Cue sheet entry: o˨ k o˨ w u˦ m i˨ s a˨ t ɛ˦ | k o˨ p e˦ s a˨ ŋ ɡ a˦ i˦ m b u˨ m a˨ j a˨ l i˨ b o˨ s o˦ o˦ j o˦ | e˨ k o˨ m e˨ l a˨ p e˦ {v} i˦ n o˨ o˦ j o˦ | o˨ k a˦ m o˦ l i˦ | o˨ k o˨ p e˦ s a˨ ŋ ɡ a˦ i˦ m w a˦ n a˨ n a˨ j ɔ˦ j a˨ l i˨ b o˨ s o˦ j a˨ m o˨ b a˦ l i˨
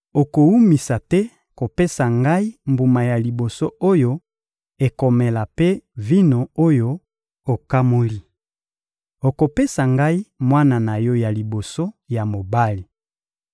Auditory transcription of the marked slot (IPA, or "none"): v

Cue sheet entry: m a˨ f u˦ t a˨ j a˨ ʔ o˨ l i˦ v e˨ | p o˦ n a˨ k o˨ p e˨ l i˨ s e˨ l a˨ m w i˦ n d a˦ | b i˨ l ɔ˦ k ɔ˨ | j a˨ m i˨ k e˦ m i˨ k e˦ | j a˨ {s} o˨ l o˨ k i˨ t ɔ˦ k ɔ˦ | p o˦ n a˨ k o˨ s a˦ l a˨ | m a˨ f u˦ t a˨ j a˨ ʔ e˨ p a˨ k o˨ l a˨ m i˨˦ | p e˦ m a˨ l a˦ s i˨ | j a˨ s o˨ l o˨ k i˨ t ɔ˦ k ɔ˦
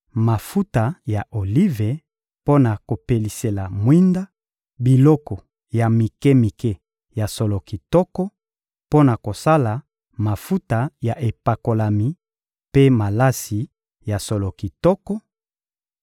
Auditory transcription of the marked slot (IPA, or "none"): s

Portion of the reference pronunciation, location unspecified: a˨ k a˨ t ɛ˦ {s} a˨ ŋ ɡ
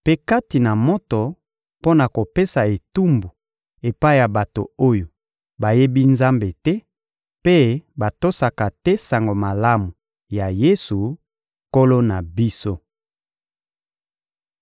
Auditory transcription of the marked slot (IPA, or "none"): s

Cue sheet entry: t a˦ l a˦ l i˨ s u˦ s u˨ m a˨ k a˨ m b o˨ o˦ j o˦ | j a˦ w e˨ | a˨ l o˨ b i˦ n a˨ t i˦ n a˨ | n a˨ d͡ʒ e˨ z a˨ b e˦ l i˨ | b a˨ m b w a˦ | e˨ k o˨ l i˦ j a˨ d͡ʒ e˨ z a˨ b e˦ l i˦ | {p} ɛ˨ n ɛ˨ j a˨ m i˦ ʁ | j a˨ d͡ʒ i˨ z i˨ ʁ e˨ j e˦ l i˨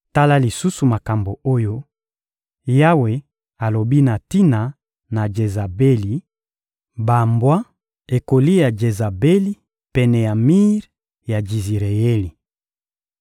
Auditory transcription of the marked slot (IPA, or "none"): p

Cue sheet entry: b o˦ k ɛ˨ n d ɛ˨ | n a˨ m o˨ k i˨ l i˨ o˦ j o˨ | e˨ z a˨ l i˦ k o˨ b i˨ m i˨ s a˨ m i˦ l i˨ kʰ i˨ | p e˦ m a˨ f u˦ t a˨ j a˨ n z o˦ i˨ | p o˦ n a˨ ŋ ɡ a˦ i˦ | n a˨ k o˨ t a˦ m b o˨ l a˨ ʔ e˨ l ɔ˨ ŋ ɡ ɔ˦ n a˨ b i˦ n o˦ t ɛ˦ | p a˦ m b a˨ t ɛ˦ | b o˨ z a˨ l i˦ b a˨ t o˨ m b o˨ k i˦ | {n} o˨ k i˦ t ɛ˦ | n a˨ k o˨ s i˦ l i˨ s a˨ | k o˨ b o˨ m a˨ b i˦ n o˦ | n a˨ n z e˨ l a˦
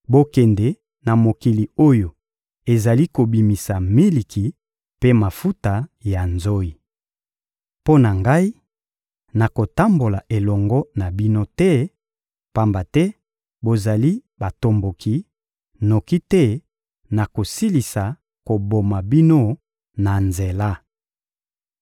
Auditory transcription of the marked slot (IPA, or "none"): n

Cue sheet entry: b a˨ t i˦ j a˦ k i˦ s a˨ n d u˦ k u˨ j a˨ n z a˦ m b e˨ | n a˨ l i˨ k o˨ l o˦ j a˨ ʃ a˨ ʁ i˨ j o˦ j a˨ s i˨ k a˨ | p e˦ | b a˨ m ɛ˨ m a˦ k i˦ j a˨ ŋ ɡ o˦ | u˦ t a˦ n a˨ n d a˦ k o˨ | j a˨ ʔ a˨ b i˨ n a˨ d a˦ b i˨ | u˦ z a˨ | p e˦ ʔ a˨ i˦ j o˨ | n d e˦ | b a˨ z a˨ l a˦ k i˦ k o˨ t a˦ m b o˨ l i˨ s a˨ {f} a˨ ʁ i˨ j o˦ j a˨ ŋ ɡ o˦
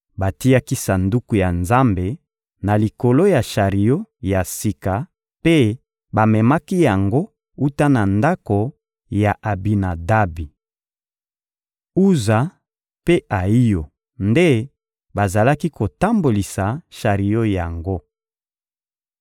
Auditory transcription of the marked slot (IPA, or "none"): ʃ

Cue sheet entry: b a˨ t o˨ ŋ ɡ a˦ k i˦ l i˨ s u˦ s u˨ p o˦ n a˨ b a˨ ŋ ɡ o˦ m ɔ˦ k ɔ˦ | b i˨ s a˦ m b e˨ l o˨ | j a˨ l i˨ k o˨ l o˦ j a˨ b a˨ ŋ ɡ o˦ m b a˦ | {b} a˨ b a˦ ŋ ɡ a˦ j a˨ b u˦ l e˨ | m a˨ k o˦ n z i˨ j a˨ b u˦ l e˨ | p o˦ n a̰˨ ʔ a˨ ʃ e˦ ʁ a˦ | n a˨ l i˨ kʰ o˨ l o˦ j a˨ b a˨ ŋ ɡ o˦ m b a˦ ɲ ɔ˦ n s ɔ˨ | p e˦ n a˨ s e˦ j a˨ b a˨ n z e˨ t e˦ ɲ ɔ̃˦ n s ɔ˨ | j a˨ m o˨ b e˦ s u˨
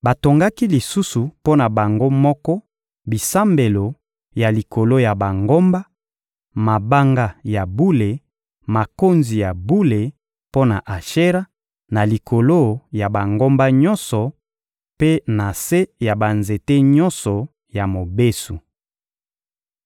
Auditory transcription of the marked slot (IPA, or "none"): m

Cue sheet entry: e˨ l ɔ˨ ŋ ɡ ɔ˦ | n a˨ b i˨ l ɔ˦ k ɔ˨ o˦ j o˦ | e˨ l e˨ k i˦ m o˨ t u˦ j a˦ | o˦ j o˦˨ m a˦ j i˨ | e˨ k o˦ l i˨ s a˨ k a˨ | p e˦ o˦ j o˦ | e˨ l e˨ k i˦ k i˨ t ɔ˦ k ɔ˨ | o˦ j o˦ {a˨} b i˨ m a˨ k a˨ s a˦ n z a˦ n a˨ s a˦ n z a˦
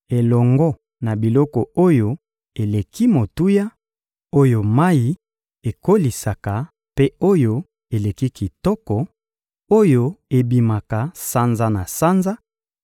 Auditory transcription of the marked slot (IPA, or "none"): e˨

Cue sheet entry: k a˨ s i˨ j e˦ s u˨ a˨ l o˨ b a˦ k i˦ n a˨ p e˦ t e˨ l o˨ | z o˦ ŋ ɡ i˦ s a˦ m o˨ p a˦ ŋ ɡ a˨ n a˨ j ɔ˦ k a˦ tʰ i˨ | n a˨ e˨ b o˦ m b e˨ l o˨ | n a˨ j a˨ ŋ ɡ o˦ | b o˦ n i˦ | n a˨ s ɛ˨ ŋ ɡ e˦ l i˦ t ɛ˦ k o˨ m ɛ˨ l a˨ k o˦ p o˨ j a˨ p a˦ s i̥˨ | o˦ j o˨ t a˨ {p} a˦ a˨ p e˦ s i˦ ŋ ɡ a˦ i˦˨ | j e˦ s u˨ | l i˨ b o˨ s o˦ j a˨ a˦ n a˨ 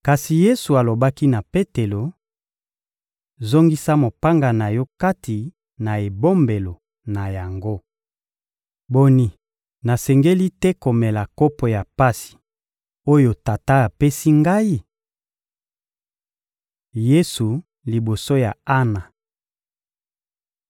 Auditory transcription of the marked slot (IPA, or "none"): t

